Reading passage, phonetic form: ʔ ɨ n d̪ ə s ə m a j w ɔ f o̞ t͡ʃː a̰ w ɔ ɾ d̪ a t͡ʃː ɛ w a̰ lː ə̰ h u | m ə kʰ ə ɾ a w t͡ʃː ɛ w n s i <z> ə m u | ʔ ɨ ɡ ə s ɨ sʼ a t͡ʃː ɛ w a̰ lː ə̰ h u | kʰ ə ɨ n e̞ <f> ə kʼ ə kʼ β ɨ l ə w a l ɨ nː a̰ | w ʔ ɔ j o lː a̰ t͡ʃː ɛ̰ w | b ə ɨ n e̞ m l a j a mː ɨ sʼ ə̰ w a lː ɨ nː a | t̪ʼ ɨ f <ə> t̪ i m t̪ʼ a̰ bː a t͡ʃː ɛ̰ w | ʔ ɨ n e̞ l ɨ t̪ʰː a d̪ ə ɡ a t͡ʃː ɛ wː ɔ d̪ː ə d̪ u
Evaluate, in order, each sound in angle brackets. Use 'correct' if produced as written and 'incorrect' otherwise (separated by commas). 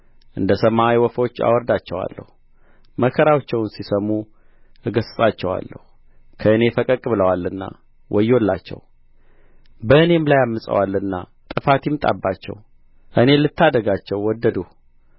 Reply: incorrect, correct, incorrect